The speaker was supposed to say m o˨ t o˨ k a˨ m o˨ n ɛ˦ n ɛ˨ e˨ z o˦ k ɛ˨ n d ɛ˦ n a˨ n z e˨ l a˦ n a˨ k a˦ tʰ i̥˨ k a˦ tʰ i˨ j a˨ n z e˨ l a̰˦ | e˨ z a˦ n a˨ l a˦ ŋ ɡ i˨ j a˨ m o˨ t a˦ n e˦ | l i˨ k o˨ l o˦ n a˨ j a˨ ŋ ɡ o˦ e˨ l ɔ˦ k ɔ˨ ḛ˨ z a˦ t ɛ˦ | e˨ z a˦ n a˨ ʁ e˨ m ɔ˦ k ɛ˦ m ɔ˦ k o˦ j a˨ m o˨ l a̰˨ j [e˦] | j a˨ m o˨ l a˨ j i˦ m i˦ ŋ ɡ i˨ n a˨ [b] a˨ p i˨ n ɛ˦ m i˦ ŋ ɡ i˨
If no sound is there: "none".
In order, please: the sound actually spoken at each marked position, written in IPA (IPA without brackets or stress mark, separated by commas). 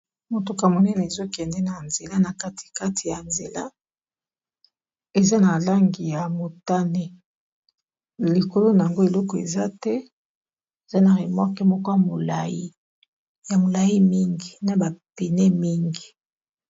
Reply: i˦, b